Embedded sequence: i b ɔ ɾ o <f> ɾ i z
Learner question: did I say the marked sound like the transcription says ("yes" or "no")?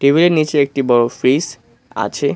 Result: yes